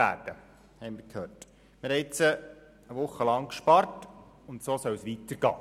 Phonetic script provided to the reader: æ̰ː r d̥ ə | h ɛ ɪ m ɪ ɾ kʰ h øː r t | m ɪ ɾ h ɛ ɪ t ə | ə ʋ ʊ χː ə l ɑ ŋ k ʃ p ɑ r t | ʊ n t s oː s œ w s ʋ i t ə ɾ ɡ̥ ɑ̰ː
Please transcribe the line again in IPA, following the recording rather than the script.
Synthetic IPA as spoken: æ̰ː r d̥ ə | h ɛ ɪ m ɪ ɾ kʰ h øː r t | m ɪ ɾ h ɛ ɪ t͡s ə | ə ʋ ʊ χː ə l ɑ ŋ k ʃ p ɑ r t | ʊ n t s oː s œ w s ʋ i t ə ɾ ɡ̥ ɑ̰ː